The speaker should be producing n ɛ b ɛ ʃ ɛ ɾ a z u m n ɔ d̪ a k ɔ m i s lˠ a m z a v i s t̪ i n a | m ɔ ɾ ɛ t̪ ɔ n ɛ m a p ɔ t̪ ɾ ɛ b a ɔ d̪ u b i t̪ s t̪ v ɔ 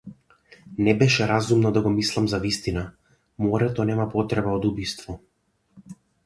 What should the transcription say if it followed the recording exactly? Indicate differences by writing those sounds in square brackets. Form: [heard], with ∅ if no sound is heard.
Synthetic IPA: n ɛ b ɛ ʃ ɛ ɾ a z u m n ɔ d̪ a [ɡ] ɔ m i s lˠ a m z a v i s t̪ i n a | m ɔ ɾ ɛ t̪ ɔ n ɛ m a p ɔ t̪ ɾ ɛ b a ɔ d̪ u b i [∅] s t̪ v ɔ